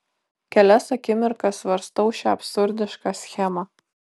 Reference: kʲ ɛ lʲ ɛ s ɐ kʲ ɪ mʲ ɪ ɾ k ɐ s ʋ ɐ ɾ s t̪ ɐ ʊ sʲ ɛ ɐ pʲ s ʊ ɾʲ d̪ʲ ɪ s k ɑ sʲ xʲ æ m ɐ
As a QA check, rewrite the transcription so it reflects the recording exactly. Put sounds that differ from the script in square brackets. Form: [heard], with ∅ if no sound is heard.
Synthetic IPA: kʲ ɛ lʲ ɛ s ɐ kʲ ɪ mʲ ɪ ɾ k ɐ s ʋ ɐ ɾ s t̪ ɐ ʊ [ʃʲ] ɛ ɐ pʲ s ʊ ɾʲ d̪ʲ ɪ [ʃ] k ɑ sʲ xʲ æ m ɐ

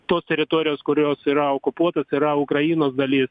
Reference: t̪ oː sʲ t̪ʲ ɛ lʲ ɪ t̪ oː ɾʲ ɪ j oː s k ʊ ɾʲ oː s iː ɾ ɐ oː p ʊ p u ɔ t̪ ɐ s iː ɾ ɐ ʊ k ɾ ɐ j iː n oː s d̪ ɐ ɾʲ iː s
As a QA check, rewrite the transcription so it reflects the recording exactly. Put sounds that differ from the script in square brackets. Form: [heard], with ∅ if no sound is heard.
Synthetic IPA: t̪ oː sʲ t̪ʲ ɛ [ɾʲ] ɪ t̪ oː ɾʲ ɪ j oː s k ʊ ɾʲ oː s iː ɾ ɐ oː [k] ʊ p u ɔ t̪ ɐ s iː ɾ ɐ ʊ k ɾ ɐ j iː n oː s d̪ ɐ [lʲ] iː s

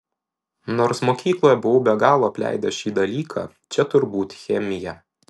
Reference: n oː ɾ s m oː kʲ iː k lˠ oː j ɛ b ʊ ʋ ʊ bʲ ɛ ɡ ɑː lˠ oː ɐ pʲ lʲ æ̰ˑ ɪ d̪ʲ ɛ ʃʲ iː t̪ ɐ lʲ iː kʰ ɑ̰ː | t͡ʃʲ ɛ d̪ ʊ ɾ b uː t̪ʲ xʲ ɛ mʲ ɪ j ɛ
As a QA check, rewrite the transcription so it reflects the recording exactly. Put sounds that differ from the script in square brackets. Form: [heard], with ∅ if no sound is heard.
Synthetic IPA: n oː ɾ s m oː kʲ iː k lˠ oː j ɛ b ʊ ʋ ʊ bʲ ɛ ɡ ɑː lˠ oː ɐ pʲ lʲ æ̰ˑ ɪ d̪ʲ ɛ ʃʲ iː [d̪] ɐ lʲ iː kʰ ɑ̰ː | t͡ʃʲ ɛ [t̪] ʊ ɾ b uː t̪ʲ xʲ ɛ mʲ ɪ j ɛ

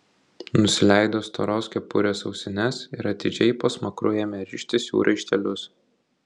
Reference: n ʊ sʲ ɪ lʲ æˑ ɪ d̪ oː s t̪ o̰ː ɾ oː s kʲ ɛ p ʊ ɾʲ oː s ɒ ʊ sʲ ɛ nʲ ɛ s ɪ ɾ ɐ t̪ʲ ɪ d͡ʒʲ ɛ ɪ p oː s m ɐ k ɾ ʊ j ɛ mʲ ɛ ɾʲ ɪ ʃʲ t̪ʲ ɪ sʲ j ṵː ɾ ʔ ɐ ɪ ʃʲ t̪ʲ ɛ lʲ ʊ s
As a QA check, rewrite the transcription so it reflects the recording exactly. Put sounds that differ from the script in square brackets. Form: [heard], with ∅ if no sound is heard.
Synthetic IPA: n ʊ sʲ ɪ lʲ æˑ ɪ d̪ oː s t̪ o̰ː ɾ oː s kʲ ɛ p ʊ ɾʲ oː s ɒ ʊ sʲ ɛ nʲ ɛ s ɪ ɾ ɐ t̪ʲ ɪ d͡ʒʲ ɛ ɪ p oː s m ɐ k ɾ ʊ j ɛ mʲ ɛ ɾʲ ɪ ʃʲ t̪ʲ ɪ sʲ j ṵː ɾ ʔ ɐ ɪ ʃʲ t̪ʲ ɛ lʲ ʊ s

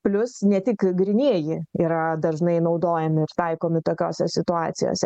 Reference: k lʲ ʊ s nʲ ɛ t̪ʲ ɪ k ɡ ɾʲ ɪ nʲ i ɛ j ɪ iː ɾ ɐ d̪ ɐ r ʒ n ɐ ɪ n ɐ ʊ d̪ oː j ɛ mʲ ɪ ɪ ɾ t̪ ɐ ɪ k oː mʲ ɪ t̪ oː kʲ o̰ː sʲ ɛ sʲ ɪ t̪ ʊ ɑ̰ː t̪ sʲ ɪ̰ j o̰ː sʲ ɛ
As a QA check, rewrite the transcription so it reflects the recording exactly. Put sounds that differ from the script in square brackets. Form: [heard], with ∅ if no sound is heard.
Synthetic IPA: [p] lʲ ʊ s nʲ ɛ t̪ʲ ɪ k ɡ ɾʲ ɪ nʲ i ɛ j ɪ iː ɾ ɐ d̪ ɐ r ʒ n ɐ ɪ n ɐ ʊ d̪ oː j ɛ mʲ ɪ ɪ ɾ t̪ ɐ ɪ k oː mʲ ɪ t̪ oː kʲ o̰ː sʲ ɛ sʲ ɪ t̪ ʊ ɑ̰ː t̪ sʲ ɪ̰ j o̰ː sʲ ɛ

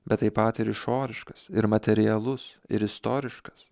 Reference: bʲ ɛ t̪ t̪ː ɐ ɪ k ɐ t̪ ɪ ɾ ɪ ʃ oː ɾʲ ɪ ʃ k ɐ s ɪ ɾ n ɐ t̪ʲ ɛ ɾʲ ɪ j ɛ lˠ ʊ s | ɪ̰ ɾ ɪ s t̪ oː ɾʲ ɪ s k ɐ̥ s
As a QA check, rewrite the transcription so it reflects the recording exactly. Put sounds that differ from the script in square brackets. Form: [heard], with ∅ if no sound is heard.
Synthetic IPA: bʲ ɛ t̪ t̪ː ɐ ɪ [p] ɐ t̪ ɪ ɾ ɪ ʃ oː ɾʲ ɪ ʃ k ɐ s ɪ ɾ [m] ɐ t̪ʲ ɛ ɾʲ ɪ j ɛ lˠ ʊ s | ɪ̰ ɾ ɪ s t̪ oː ɾʲ ɪ [ʃ] k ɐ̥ s

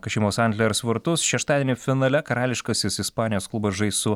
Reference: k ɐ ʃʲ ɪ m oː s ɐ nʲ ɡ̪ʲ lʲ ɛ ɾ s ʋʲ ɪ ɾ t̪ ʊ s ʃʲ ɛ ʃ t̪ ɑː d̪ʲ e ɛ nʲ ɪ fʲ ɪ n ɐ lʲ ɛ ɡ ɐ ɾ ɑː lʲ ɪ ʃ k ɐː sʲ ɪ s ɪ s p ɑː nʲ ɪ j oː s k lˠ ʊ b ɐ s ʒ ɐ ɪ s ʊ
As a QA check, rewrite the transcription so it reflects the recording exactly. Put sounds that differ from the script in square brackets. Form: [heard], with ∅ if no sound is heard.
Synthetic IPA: k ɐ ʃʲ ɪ m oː s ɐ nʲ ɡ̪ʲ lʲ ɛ ɾ s ʋʲ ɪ ɾ t̪ ʊ s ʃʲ ɛ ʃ t̪ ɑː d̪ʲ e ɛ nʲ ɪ fʲ ɪ n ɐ lʲ ɛ [k] ɐ ɾ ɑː lʲ ɪ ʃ k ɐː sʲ ɪ s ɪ s p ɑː nʲ ɪ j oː s k lˠ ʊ b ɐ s ʒ ɐ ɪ s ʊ

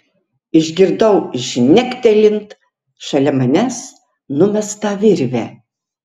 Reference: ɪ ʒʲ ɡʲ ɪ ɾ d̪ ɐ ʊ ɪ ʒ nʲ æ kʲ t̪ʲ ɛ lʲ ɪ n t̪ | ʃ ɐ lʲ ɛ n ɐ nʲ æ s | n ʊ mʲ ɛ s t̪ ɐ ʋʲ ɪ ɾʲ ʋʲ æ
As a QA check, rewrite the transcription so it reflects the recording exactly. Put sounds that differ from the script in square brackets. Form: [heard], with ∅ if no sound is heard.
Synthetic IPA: ɪ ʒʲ ɡʲ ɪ ɾ d̪ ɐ ʊ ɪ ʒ nʲ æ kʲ t̪ʲ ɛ lʲ ɪ n t̪ | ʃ ɐ lʲ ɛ [m] ɐ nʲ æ s | n ʊ mʲ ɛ s t̪ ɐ ʋʲ ɪ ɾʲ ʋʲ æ

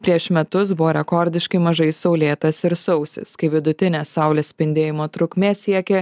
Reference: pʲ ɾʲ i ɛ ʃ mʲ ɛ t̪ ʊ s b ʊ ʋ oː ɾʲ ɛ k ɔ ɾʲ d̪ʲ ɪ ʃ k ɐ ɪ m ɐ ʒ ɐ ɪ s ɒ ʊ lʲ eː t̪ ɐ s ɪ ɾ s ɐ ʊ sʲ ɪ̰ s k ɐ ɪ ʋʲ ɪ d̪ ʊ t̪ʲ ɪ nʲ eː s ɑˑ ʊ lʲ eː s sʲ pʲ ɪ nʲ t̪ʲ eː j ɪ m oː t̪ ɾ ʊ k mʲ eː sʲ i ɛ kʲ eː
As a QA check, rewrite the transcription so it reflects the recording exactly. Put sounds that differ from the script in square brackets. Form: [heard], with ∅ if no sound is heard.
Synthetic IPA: pʲ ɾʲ i ɛ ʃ mʲ ɛ t̪ ʊ s b ʊ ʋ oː ɾʲ ɛ k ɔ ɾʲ d̪ʲ ɪ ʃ k ɐ ɪ m ɐ ʒ ɐ ɪ s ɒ ʊ lʲ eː t̪ ɐ s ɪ ɾ s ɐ ʊ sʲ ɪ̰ s k ɐ ɪ ʋʲ ɪ d̪ ʊ t̪ʲ ɪ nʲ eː s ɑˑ ʊ lʲ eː s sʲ pʲ ɪ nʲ [d̪ʲ] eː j ɪ m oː t̪ ɾ ʊ k mʲ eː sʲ i ɛ kʲ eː

